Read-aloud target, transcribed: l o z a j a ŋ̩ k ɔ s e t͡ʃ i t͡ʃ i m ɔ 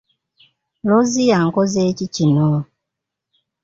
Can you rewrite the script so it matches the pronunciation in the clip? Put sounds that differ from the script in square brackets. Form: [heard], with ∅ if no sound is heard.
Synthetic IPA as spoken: l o z [i] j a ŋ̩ k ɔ [z] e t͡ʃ i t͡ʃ i [n] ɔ